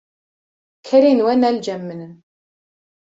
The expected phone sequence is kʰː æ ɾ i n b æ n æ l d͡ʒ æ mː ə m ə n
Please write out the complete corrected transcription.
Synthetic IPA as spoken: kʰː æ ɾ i n w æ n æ l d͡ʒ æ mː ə n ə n